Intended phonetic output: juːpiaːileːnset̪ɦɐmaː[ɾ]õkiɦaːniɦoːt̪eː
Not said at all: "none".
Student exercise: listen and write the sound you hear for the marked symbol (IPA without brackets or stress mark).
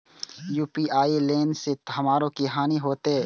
ɾ